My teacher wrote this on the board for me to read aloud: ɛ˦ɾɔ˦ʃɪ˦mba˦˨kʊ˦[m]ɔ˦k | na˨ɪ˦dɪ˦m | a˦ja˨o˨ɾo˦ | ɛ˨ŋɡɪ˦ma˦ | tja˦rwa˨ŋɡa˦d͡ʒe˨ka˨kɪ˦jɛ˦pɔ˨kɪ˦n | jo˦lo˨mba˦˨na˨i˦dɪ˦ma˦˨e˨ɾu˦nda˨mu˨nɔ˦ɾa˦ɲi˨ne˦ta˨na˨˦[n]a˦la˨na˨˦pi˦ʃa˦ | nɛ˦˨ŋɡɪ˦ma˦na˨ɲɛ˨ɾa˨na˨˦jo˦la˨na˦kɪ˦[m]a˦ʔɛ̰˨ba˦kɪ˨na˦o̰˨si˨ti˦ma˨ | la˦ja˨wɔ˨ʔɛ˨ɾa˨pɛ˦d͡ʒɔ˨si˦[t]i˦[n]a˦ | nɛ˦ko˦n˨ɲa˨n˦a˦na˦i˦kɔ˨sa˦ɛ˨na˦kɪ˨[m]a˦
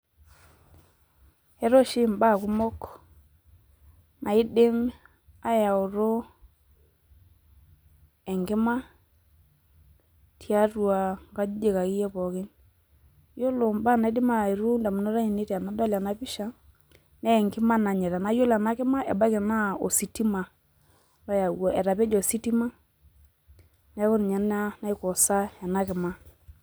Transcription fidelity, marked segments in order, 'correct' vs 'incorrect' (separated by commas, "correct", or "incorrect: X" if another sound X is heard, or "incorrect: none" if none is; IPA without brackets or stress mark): correct, incorrect: d, correct, correct, incorrect: m, correct